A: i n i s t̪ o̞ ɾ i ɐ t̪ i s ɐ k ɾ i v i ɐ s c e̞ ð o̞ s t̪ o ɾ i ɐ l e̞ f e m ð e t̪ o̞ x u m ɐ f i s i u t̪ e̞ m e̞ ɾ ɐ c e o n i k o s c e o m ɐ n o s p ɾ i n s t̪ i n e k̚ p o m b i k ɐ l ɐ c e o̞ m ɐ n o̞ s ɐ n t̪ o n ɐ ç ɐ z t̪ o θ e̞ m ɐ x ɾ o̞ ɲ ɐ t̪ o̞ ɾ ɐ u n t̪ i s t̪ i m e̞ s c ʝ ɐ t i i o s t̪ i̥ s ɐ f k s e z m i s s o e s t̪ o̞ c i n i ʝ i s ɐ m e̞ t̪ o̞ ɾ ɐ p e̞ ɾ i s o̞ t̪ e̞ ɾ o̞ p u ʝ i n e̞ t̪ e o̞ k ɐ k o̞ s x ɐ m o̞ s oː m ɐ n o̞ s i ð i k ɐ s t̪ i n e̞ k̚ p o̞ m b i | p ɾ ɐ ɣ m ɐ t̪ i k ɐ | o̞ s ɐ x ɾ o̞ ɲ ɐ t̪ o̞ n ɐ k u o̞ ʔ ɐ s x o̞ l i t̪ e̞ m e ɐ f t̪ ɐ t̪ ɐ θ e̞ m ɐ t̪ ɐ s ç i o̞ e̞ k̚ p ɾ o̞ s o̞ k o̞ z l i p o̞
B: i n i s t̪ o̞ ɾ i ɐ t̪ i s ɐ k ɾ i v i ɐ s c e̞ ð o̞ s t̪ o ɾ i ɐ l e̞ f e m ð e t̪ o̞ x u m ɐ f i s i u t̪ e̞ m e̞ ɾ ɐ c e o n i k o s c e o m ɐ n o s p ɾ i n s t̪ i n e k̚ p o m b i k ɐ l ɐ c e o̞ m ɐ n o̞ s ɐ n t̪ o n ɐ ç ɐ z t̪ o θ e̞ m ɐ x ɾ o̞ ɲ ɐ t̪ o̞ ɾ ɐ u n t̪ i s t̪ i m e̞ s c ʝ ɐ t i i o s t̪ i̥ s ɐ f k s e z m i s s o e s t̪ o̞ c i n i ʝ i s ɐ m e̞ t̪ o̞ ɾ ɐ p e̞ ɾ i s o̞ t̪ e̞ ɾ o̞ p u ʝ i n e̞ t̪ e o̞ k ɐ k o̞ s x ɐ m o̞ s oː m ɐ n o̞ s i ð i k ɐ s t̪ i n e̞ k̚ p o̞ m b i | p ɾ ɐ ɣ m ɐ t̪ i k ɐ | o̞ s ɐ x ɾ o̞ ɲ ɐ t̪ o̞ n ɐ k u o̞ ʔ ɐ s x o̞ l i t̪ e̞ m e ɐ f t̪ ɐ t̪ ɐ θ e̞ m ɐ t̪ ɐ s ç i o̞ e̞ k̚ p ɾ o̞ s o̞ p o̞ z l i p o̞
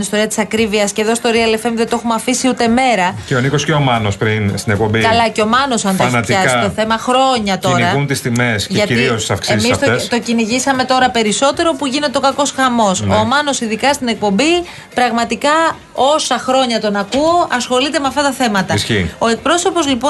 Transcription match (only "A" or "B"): B